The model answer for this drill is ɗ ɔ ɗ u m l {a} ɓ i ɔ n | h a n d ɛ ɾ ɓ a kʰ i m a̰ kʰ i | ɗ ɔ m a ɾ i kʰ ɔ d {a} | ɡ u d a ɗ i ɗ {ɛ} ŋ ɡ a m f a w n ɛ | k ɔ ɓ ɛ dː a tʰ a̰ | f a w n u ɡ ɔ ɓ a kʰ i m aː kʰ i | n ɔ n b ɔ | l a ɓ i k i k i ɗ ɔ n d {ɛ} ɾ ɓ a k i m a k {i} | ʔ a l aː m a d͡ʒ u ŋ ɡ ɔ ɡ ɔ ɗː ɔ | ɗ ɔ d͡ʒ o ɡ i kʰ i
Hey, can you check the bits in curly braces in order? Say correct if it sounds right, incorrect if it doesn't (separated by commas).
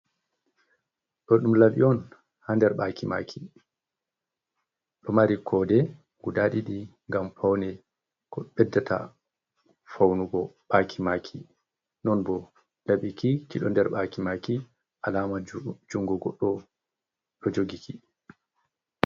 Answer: correct, incorrect, incorrect, correct, correct